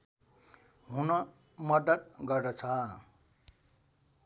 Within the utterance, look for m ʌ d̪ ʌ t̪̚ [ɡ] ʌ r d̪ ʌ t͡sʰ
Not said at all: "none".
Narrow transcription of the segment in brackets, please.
ɡ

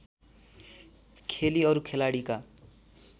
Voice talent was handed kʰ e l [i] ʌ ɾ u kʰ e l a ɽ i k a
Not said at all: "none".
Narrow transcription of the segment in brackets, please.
i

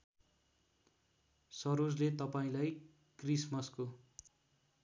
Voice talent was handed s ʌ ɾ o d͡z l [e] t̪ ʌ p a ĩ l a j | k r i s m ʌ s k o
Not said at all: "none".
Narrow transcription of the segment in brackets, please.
e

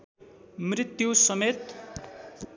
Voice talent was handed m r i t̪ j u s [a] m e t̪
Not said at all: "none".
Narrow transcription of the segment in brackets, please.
ʌ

